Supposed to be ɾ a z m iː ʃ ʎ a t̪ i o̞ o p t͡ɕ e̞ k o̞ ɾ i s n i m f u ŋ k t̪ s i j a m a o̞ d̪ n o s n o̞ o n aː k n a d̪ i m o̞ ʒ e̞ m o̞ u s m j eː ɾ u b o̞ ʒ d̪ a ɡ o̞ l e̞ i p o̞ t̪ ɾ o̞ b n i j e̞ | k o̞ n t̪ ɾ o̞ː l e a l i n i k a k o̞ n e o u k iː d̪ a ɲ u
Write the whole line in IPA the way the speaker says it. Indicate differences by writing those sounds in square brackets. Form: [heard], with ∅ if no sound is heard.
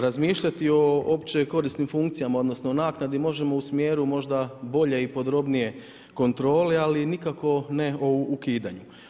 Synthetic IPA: ɾ a z m iː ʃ ʎ a t̪ i o̞ o p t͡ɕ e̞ k o̞ ɾ i s n i m f u ŋ k t̪ s i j a m a o̞ d̪ n o s n o̞ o n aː k n a d̪ i m o̞ ʒ e̞ m o̞ u s m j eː ɾ u [m] o̞ ʒ d̪ a [b] o̞ [ʎ] e̞ i p o̞ [d̪] ɾ o̞ b n i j e̞ | k o̞ n t̪ ɾ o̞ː l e a l i n i k a k o̞ n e o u k iː d̪ a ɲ u